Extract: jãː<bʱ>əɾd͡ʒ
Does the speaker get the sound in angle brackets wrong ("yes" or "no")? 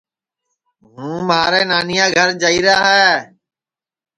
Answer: yes